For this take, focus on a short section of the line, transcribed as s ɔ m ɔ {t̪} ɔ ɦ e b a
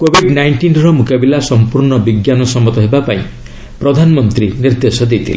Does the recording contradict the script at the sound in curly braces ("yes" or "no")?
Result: no